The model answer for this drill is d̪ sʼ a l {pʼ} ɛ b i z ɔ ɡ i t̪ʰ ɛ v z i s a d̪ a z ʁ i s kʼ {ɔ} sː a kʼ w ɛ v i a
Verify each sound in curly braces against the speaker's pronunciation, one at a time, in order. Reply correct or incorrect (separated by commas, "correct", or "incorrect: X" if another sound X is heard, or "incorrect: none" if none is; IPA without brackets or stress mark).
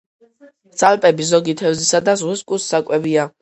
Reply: correct, incorrect: u